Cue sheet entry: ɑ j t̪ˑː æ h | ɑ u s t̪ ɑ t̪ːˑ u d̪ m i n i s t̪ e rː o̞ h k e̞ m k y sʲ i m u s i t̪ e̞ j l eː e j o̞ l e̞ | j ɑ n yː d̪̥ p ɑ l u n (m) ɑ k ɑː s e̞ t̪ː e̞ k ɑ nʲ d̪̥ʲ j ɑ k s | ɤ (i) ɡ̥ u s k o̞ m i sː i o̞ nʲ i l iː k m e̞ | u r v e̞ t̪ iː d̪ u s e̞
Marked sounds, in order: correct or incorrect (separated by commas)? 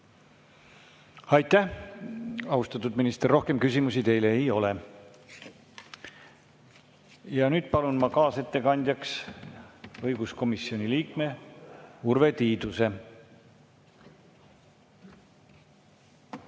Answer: correct, incorrect